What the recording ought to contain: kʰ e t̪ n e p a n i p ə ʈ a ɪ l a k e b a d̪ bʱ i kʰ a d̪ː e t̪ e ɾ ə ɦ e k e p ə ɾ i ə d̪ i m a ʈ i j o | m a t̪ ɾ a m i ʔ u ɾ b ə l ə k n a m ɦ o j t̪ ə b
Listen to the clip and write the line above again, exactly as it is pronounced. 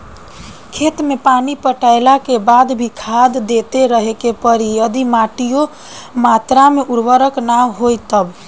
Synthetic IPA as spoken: kʰ e t̪ m e p a n i p ə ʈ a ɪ l a k e b a d̪ bʱ i kʰ a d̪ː e t̪ e ɾ ə ɦ e k e p ə ɾ i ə d̪ i m a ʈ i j o | m a t̪ ɾ a m e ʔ u ɾ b ə ɾ ə k n a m ɦ o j t̪ ə b